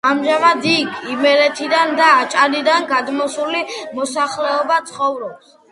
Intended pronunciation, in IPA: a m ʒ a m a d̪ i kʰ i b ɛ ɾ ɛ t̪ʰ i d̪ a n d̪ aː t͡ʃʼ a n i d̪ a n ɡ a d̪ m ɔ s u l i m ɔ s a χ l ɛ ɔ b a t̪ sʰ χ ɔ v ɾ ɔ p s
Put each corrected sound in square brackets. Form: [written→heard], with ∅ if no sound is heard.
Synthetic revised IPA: a m ʒ a m a d̪ i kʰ i [b→m] ɛ ɾ ɛ t̪ʰ i d̪ a n d̪ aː t͡ʃʼ a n i d̪ a n ɡ a d̪ m ɔ s u l i m ɔ s a χ l ɛ ɔ b a t̪ sʰ χ ɔ v ɾ ɔ p s